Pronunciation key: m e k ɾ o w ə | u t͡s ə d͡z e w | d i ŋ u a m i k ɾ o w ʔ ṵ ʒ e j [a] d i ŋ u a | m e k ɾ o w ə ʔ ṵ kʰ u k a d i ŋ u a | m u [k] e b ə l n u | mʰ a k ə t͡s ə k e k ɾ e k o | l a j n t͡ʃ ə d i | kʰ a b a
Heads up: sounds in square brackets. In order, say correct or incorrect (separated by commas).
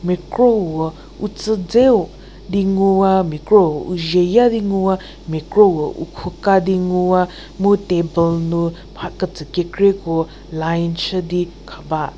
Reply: correct, incorrect